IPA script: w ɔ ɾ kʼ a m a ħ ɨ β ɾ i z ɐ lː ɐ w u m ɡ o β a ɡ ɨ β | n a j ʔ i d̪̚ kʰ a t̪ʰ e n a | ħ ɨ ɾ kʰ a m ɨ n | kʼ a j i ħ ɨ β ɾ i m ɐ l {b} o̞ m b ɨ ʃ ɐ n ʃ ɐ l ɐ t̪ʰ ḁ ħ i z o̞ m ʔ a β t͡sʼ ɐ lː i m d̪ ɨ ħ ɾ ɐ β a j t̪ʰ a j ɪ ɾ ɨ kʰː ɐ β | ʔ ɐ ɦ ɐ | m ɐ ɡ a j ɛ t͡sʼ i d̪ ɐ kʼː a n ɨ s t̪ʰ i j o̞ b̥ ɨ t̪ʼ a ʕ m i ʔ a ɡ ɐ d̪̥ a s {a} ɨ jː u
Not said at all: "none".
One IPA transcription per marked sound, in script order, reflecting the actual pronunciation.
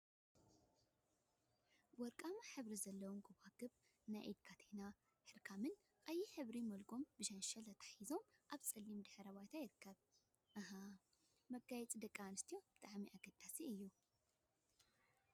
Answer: ɡ, i

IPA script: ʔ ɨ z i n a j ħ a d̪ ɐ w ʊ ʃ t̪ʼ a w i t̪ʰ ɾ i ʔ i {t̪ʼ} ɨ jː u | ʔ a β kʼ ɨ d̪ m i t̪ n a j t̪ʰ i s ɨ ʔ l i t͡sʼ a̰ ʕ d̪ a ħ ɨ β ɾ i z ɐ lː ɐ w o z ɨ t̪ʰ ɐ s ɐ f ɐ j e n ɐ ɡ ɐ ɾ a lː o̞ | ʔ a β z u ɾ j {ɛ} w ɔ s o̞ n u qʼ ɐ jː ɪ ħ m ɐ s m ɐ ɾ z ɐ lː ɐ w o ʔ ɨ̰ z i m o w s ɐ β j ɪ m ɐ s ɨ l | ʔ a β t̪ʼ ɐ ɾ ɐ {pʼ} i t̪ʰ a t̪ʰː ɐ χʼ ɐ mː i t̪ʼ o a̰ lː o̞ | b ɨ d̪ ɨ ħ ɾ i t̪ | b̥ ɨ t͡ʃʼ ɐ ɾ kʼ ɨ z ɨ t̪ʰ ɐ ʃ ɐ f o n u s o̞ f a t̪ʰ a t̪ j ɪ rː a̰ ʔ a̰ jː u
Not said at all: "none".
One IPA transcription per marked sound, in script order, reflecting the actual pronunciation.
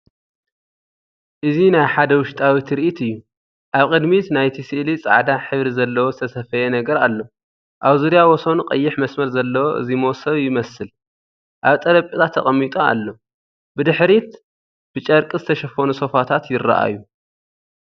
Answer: t̪, a, pʼ

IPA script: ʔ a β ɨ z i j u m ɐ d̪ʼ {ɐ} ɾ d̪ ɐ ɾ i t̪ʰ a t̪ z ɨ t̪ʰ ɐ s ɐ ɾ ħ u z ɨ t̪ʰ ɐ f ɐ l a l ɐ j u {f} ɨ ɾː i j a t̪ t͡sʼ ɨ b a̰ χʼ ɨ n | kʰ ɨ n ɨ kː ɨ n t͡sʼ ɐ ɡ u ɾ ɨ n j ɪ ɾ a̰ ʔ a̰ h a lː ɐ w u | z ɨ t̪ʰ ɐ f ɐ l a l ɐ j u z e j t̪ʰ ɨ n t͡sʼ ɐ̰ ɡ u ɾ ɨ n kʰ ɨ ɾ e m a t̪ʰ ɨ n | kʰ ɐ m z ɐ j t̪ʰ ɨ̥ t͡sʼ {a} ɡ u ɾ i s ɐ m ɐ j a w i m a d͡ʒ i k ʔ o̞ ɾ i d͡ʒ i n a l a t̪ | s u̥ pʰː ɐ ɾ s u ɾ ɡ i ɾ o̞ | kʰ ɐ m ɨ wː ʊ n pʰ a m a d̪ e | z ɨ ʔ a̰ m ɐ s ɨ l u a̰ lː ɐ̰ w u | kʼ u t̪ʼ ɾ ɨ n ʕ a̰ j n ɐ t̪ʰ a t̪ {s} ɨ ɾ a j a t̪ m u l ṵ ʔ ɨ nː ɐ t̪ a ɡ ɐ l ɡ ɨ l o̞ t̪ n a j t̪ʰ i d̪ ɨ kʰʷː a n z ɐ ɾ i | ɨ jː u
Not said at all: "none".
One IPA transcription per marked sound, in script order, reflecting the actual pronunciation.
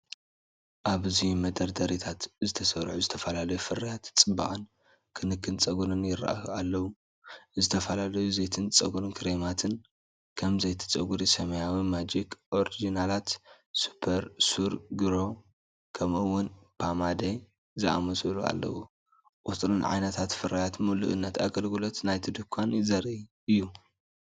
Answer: ɐ, f, ɐ, f

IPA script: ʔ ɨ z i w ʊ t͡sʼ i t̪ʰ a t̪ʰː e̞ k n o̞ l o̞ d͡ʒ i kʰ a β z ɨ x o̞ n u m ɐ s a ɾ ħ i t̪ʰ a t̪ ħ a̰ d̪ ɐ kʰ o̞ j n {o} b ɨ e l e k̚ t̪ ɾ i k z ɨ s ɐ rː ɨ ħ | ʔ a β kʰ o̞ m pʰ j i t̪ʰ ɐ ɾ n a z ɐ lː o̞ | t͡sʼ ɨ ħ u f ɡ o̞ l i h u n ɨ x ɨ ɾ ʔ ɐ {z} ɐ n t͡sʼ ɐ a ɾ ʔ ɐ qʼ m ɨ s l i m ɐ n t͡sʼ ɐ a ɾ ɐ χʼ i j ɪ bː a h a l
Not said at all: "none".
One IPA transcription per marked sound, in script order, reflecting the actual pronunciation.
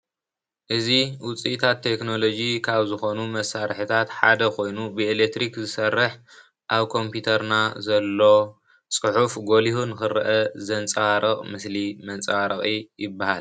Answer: u, z

